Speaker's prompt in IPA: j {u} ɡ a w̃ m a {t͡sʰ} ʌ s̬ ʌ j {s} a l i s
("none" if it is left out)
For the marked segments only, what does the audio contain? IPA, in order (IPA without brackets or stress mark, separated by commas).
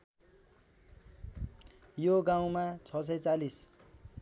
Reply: o, t͡sʰ, t͡s